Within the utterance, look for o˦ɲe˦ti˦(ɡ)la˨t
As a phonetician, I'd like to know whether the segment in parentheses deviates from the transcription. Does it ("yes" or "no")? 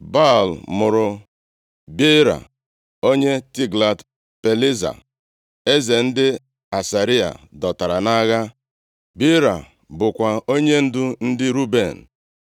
no